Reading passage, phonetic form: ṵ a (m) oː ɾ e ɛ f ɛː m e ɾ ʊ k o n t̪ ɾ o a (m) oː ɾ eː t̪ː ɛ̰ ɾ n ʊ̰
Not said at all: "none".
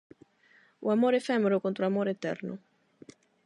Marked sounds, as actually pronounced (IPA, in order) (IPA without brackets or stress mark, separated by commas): m, m